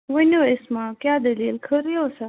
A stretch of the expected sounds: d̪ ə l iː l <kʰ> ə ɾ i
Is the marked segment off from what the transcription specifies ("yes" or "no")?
no